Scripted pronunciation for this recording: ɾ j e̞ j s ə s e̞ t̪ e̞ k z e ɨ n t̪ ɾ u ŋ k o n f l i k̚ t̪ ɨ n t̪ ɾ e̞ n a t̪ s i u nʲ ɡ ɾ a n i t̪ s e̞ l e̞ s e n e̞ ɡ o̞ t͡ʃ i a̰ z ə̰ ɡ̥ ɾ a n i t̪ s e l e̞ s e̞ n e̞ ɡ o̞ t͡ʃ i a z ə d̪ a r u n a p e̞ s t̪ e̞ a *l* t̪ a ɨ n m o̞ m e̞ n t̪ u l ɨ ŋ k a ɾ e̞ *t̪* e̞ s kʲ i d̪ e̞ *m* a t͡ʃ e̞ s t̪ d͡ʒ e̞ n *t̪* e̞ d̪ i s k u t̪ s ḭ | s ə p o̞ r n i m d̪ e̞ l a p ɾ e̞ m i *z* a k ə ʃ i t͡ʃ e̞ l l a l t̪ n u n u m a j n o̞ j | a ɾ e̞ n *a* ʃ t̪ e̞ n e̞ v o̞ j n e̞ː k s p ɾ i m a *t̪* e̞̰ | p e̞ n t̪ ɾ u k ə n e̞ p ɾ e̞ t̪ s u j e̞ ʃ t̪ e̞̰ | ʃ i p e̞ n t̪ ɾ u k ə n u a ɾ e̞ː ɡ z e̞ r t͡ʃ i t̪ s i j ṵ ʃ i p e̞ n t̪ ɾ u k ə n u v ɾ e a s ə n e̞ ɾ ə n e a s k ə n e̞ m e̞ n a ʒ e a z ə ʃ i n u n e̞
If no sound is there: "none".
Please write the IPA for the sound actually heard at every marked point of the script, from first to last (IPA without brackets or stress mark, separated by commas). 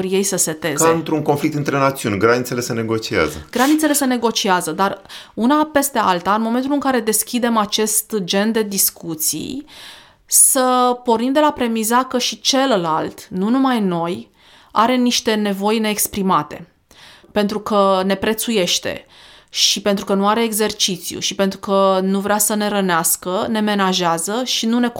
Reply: l, d̪, m, d̪, z, i, t̪